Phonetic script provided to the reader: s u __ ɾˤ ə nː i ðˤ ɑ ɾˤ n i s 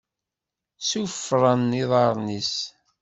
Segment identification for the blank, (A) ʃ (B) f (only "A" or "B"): B